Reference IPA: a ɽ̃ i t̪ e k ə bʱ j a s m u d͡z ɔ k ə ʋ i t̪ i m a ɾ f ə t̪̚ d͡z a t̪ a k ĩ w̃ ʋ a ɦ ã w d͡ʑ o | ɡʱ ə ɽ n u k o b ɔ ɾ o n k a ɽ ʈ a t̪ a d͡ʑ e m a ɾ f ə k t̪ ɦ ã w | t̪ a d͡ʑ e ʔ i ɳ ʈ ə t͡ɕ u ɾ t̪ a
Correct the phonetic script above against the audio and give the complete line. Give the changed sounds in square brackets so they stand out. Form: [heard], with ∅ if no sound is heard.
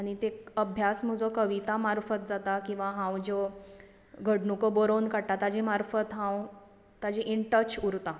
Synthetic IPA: a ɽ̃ i t̪ e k ə bʱ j a s m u d͡z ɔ k ə ʋ i t̪ [a] m a ɾ f ə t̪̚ d͡z a t̪ a k ĩ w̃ ʋ a ɦ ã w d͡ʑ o | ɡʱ ə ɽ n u k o b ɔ ɾ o n k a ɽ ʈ a t̪ a d͡ʑ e m a ɾ f ə [∅] t̪ ɦ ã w | t̪ a d͡ʑ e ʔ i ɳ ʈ ə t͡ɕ u ɾ t̪ a